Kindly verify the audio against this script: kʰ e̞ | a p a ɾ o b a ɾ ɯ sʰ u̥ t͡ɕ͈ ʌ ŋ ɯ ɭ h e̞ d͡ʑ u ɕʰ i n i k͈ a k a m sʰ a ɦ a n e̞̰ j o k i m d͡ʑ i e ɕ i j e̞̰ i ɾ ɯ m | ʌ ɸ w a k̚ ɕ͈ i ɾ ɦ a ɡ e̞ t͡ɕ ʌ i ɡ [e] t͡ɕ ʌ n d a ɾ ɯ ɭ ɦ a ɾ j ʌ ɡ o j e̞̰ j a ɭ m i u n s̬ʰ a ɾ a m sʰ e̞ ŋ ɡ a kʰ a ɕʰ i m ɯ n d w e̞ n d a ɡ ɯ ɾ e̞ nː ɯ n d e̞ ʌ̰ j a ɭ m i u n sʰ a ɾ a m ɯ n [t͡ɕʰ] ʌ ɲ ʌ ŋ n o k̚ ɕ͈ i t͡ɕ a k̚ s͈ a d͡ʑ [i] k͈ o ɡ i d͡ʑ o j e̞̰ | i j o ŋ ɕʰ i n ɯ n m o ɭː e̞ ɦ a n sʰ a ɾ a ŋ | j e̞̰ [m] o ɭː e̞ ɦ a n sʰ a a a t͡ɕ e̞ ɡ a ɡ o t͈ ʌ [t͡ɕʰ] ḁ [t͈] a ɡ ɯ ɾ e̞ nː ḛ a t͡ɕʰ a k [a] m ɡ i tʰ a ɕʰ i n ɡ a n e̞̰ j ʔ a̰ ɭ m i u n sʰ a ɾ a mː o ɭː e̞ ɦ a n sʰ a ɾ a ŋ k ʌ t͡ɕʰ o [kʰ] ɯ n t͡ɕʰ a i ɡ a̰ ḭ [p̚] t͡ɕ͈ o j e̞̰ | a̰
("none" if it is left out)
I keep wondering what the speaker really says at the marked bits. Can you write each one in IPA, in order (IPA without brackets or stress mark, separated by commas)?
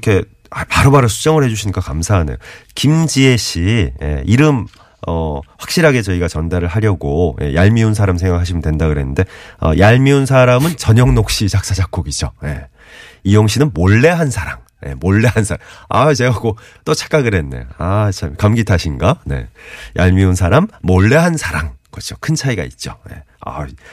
a, t͡ɕ, a, m, t͡ɕʰ, k͈, a, kʰ, t̚